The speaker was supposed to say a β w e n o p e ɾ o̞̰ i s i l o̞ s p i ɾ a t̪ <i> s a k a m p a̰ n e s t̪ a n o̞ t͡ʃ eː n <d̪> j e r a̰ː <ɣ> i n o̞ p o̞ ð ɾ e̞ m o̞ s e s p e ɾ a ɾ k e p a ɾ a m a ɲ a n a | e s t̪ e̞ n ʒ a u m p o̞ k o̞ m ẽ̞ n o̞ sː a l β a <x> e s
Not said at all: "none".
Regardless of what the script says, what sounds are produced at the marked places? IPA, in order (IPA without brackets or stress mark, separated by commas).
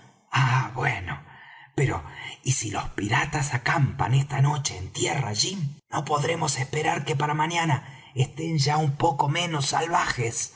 a, t̪, ʒ, x